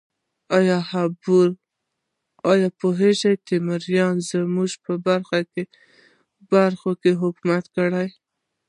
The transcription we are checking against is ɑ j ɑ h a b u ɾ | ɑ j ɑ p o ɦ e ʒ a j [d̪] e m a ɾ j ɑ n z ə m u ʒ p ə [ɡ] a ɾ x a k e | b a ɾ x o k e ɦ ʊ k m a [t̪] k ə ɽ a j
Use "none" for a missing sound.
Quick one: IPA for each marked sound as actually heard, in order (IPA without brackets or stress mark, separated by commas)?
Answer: t̪, b, t̪